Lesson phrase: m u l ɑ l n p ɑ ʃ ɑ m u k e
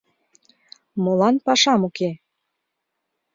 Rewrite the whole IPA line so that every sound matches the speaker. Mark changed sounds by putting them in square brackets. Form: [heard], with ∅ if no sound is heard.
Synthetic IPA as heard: m [o] l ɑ [∅] n p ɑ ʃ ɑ m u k e

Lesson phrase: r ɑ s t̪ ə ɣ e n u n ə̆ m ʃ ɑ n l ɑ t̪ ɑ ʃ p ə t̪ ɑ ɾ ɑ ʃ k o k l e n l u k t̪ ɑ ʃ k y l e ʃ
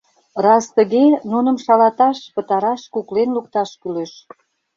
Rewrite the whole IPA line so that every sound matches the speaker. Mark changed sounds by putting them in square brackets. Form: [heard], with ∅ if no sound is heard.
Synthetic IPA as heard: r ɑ s t̪ ə ɣ e n u n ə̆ m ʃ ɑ [∅] l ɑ t̪ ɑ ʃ p ə t̪ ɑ ɾ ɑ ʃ k [u] k l e n l u k t̪ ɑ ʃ k y l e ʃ

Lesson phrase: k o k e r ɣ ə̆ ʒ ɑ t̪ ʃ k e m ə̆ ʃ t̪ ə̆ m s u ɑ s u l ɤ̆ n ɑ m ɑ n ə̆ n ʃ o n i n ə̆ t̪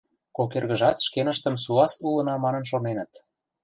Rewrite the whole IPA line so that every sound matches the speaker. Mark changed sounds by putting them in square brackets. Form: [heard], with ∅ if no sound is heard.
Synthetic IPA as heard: k o k e r ɣ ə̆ ʒ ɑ t̪ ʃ k e [n] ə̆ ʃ t̪ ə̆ m s u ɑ s u l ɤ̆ n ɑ m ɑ n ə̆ n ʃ o n [e] n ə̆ t̪

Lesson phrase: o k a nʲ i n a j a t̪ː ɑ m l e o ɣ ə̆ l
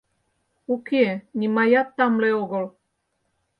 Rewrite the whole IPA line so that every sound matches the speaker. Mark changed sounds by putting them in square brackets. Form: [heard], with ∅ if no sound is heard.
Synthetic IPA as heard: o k [e] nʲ i [m] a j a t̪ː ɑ m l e o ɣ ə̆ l

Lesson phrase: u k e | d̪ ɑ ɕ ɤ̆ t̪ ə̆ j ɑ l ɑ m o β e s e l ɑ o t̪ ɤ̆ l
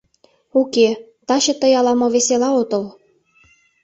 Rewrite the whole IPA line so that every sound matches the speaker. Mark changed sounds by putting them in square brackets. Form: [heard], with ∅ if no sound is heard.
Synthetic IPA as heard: u k e | [t̪] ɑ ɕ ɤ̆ t̪ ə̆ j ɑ l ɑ m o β e s e l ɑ o t̪ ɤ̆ l

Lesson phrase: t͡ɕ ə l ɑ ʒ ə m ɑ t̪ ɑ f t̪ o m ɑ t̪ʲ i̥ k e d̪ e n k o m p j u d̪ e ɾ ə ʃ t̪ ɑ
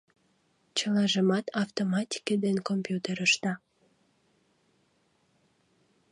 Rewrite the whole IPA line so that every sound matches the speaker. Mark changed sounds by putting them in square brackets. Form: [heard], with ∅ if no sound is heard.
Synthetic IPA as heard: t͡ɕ ə l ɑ ʒ ə m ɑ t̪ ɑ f t̪ o m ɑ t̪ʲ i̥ k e d̪ e n k o m p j u [t̪] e ɾ ə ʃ t̪ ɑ

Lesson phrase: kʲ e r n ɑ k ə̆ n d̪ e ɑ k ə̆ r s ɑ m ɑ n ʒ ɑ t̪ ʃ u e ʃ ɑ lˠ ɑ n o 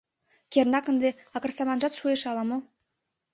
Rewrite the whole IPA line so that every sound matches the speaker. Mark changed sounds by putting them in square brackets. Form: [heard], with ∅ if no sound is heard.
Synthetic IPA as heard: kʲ e r n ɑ k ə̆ n d̪ e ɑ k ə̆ r s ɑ m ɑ n ʒ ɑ t̪ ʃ u e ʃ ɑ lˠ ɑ [m] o

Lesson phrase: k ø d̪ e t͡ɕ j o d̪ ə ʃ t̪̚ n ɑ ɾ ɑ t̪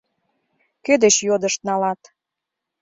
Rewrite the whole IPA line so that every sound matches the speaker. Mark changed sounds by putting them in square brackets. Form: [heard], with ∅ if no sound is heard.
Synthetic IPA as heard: k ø d̪ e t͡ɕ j o d̪ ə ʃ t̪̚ n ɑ [l] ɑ t̪

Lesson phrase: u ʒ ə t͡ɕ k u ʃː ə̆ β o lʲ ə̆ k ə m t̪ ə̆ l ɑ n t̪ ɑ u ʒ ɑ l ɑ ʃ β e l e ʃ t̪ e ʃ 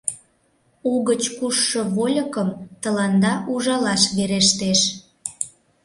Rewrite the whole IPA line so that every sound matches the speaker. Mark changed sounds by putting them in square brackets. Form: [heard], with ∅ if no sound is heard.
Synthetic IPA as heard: u [ɣ] ə t͡ɕ k u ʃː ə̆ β o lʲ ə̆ k ə m t̪ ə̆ l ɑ n [d̪] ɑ u ʒ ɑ l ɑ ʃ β e [ɾ] e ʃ t̪ e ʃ

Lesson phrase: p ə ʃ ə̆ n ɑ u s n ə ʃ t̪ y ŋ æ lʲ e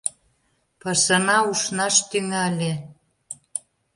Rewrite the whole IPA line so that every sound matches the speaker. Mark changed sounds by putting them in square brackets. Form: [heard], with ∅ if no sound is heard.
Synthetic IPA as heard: p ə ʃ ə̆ n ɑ u [ʃ] n [ɑ] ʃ t̪ y ŋ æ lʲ e

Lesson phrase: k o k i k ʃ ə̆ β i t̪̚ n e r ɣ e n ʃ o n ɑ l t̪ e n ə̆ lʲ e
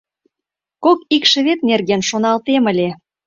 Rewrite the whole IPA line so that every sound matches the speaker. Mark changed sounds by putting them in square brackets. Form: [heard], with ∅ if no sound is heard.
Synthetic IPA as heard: k o k i k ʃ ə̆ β [e] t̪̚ n e r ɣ e n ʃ o n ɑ l t̪ e [m] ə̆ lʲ e

